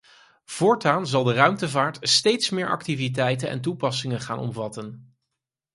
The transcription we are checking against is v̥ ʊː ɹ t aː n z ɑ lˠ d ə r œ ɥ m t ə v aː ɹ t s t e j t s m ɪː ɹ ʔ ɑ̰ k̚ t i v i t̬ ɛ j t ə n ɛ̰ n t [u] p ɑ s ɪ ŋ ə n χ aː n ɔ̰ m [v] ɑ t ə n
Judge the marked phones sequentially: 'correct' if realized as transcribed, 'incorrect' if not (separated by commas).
correct, correct